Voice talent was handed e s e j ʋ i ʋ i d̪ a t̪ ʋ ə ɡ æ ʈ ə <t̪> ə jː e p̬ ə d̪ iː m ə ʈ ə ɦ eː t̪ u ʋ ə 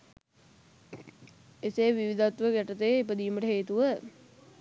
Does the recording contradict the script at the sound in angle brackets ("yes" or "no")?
no